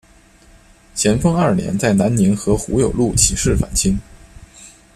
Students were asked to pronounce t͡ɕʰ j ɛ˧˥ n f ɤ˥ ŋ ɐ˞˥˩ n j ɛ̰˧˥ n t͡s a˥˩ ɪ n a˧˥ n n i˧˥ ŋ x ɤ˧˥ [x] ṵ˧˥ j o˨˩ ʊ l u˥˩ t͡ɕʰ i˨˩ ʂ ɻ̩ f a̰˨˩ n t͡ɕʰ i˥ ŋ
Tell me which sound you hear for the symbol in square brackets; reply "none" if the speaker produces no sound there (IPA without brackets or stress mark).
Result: x